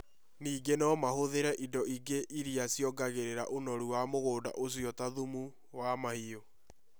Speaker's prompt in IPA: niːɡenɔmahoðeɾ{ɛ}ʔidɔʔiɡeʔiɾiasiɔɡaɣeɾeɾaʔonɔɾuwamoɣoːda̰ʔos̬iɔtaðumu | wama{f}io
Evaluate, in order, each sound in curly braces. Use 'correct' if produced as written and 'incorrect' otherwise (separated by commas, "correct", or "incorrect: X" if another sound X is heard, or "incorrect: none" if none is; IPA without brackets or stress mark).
correct, incorrect: h